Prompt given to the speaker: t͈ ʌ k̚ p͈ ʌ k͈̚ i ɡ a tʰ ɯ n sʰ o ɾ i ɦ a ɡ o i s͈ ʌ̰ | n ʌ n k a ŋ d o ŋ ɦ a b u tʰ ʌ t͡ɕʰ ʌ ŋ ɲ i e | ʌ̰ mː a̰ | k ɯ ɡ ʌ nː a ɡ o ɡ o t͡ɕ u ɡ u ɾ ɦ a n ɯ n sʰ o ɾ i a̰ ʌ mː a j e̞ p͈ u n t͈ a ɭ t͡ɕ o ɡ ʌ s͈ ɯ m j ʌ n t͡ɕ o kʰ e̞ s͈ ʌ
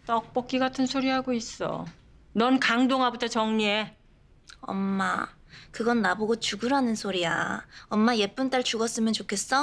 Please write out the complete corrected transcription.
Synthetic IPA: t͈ ʌ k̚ p͈ ʌ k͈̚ i ɡ a tʰ ɯ n sʰ o ɾ i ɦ a ɡ o i s͈ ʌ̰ | n ʌ n k a ŋ d o ŋ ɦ a b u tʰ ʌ t͡ɕ ʌ ŋ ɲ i e | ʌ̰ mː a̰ | k ɯ ɡ ʌ nː a b o ɡ o t͡ɕ u ɡ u ɾ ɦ a n ɯ n sʰ o ɾ i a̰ ʌ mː a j e̞ p͈ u n t͈ a ɭ t͡ɕ u ɡ ʌ s͈ ɯ m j ʌ n t͡ɕ o kʰ e̞ s͈ ʌ